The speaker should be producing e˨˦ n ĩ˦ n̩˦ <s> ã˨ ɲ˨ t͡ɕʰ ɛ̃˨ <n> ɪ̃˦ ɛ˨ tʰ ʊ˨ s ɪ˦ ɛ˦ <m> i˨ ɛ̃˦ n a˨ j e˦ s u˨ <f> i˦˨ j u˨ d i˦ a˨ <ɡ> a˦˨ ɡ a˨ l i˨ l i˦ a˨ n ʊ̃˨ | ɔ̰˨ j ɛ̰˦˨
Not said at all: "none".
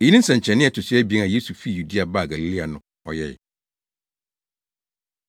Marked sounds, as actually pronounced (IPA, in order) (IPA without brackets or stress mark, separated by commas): s, n, b, f, b